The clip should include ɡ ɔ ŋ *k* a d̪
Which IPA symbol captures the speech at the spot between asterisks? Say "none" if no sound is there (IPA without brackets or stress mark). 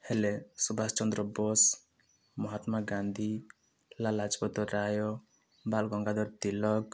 ɡ